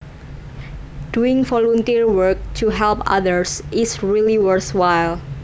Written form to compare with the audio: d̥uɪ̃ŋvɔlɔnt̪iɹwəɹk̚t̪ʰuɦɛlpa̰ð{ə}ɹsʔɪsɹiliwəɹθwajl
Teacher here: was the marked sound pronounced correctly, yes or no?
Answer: yes